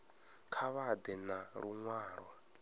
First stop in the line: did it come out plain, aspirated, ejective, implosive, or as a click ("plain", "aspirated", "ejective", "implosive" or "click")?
aspirated